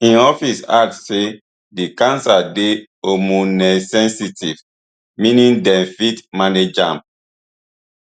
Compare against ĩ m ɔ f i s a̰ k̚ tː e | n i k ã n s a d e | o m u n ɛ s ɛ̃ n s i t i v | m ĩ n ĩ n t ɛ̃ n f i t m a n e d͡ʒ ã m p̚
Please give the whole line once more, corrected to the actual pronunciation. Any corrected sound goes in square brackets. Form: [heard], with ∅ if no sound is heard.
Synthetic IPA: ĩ [n] ɔ f i s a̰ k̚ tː e | [d] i k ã n s a d e | o m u n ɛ s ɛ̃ n s i t i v | m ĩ n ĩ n [d] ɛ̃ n f i t m a n e d͡ʒ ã m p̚